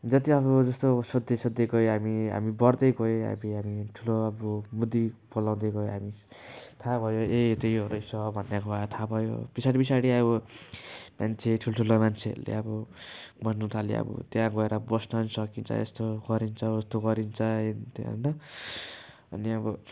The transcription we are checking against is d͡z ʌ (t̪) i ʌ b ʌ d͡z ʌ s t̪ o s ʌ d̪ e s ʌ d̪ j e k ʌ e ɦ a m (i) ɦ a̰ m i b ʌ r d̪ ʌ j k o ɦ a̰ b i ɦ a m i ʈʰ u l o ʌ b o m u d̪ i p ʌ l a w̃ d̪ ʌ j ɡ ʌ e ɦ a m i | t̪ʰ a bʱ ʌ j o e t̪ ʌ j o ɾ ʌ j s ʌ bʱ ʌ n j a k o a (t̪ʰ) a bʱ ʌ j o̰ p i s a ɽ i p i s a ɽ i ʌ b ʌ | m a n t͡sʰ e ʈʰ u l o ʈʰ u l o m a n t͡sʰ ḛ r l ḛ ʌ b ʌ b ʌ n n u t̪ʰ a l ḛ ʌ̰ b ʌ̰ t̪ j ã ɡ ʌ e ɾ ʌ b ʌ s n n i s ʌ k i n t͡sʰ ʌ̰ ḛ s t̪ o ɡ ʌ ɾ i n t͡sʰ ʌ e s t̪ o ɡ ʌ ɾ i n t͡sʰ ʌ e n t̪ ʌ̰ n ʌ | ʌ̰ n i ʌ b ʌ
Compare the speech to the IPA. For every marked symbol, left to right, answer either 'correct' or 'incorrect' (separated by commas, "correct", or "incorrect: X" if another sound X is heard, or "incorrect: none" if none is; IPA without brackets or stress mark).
correct, correct, correct